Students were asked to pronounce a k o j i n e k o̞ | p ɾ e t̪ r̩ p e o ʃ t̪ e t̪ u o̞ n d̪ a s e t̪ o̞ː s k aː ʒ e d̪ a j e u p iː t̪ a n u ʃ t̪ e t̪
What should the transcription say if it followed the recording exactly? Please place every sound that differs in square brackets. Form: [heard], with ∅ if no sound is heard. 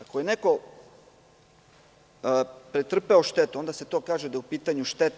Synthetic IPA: a k o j [e] n e k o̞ | p ɾ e t̪ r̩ p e o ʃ t̪ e t̪ u o̞ n d̪ a s e t̪ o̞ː [∅] k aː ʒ e d̪ a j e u p iː t̪ a [ɲ] u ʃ t̪ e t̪